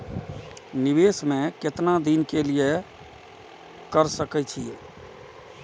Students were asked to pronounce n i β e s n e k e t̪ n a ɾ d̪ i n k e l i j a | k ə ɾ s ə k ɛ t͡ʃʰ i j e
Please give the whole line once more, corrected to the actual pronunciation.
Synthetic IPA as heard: n i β e s m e k e t̪ n a d̪ i n k e l i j e | k ə ɾ s ə k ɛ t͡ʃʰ i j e